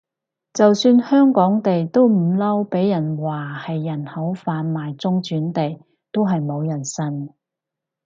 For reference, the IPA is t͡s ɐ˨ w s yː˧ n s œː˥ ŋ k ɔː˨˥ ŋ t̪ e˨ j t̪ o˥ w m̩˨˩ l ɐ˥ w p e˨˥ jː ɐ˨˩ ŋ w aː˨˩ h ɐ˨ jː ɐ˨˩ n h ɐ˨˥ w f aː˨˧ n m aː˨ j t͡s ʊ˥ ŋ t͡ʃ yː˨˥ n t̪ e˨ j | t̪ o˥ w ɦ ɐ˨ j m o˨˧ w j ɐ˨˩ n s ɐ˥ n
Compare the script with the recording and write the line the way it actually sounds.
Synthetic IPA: t͡s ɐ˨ w s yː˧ n h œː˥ ŋ k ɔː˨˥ ŋ t̪ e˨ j t̪ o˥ w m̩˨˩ l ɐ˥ w p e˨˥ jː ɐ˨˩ n w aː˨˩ h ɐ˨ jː ɐ˨˩ n h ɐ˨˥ w f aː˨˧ n m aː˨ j t͡s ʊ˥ ŋ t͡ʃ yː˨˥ n t̪ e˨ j | t̪ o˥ w ɦ ɐ˨ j m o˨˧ w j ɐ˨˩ n s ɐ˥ n